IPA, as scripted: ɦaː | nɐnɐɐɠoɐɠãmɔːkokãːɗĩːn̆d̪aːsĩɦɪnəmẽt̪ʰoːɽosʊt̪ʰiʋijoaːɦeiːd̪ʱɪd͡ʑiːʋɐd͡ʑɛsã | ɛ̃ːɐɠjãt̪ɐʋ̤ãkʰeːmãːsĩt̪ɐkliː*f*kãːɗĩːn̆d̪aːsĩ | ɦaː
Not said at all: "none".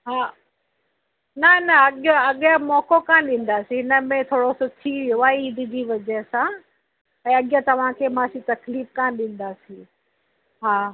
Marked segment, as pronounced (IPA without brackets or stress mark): f